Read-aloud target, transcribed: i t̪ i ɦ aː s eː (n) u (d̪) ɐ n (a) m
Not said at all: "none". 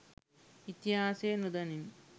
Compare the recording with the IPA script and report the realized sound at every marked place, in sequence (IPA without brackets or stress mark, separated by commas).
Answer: n, d̪, i